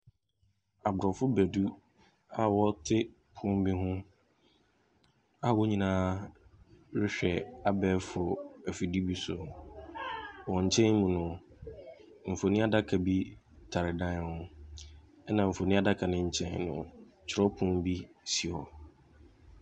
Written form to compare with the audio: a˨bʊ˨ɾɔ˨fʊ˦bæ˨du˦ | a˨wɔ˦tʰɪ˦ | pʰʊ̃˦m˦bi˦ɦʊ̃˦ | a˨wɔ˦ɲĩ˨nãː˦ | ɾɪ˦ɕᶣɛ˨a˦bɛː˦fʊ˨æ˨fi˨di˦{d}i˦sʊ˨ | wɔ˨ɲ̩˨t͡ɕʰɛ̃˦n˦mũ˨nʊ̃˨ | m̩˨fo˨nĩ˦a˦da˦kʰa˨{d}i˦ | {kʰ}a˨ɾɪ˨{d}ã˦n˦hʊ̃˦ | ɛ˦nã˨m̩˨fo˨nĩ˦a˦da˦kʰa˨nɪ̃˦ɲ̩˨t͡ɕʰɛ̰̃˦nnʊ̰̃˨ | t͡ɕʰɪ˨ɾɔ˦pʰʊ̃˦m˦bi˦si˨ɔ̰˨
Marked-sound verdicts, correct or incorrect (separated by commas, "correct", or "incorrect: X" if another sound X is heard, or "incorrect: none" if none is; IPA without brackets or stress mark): incorrect: b, incorrect: b, incorrect: tʰ, correct